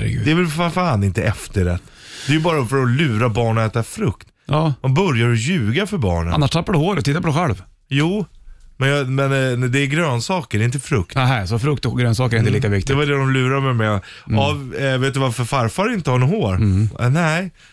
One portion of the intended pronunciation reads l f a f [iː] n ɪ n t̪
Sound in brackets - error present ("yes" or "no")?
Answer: yes